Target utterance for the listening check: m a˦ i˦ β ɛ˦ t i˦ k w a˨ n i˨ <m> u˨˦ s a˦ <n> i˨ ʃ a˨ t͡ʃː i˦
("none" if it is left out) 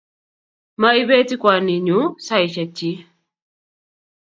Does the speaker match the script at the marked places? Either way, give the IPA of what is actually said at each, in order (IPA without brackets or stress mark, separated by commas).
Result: ɲ, none